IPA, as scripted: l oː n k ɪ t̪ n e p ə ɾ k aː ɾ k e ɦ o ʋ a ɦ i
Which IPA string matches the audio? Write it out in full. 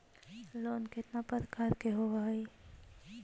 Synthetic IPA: l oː n k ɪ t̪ n a p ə ɾ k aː ɾ k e ɦ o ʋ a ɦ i